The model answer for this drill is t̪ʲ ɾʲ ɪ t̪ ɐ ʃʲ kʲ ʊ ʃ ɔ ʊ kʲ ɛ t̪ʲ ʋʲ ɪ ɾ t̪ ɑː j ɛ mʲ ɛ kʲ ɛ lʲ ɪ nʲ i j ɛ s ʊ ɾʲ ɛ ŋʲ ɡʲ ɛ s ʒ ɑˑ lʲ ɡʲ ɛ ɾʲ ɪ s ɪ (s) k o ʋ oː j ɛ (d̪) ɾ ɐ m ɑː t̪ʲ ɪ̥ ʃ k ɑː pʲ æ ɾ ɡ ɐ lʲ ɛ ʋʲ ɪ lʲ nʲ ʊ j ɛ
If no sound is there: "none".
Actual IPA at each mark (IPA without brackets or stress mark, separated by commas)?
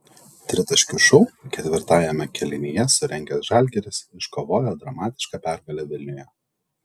ʃ, d̪